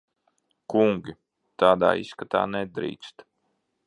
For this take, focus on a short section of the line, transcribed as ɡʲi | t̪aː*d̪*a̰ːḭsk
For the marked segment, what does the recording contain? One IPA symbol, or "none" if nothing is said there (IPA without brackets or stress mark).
d̪